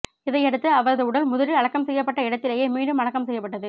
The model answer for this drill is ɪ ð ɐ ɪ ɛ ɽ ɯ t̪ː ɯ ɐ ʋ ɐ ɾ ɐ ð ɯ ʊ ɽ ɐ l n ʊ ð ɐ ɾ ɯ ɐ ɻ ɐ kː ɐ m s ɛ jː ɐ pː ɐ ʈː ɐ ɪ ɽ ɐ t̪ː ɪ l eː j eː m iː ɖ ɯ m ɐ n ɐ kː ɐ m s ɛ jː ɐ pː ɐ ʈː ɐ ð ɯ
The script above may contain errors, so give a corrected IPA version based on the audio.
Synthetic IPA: ɪ ð ɐ ɪ ɛ ɽ ɯ t̪ː ɯ ɐ ʋ ɐ ɾ ɐ ð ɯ ʊ ɽ ɐ l m ʊ ð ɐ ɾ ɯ ɐ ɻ ɐ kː ɐ m s ɛ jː ɐ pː ɐ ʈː ɐ ɪ ɽ ɐ t̪ː ɪ l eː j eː m iː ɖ ɯ m ɐ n ɐ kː ɐ m s ɛ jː ɐ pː ɐ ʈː ɐ ð ɯ